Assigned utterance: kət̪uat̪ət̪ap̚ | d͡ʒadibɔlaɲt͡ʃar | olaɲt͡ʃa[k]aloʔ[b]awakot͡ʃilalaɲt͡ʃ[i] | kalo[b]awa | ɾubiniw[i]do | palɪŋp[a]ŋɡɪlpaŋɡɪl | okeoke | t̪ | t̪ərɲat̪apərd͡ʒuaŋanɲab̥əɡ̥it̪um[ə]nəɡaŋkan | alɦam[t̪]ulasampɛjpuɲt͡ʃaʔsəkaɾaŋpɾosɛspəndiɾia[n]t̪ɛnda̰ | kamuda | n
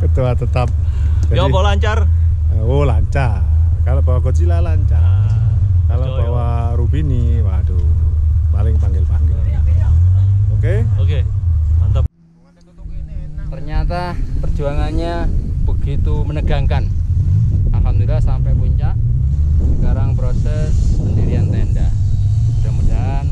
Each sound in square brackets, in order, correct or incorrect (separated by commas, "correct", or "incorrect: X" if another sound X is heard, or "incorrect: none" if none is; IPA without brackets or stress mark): correct, correct, incorrect: a, correct, incorrect: a, correct, correct, incorrect: d̪, correct